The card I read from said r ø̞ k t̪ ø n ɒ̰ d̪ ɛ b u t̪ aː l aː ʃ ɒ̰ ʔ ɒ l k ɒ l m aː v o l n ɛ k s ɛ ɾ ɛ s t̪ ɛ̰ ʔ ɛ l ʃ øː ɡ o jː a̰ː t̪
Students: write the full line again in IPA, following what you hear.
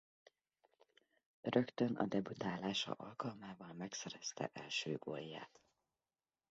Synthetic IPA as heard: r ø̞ k t̪ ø n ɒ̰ d̪ ɛ b u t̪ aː l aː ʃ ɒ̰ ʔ ɒ l k ɒ l m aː v ɒ l m ɛ k s ɛ ɾ ɛ s t̪ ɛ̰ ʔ ɛ l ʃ øː ɡ o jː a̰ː t̪